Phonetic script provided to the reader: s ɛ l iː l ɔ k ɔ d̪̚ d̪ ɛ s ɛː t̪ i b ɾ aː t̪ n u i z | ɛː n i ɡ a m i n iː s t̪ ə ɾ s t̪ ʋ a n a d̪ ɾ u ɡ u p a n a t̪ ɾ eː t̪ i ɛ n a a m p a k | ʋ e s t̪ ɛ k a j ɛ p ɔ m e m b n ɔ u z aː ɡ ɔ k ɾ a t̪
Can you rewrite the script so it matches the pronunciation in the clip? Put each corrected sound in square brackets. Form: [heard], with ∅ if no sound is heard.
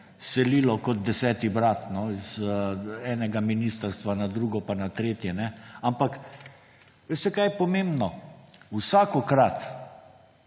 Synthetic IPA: s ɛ l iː l ɔ k ɔ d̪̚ d̪ ɛ s ɛː t̪ i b ɾ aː t̪ n [ɔ] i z | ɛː n [ɛ] ɡ a m i n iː s t̪ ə ɾ s t̪ ʋ a n a d̪ ɾ u ɡ [ɔ] p a n a t̪ ɾ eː t̪ [j] ɛ n [ɛ] a m p a k | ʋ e s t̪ ɛ k a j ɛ p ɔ m e m b n ɔ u [s] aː [k] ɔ k ɾ a t̪